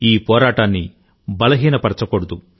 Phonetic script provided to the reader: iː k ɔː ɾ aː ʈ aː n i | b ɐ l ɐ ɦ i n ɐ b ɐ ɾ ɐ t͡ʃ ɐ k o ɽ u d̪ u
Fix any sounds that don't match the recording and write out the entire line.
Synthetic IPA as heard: iː p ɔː ɾ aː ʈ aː nː i | b ɐ l ɐ ɦ iː n ɐ p ɐ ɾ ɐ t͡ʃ ɐ k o ɽ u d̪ u